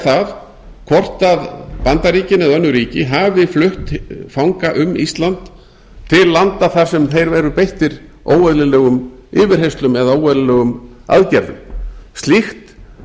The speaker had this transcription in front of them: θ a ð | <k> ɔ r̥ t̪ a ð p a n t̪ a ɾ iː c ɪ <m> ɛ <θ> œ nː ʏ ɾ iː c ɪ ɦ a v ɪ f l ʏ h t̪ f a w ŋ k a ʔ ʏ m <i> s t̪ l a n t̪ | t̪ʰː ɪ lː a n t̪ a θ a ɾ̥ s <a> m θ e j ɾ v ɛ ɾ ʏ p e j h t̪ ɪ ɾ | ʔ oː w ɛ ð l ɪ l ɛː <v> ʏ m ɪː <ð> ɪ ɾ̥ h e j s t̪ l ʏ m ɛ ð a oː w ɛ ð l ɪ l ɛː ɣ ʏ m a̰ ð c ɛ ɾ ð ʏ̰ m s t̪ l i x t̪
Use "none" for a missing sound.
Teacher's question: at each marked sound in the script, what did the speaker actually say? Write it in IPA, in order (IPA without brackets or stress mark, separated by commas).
kʰ, n, ð, i, ɛ, ɣ, v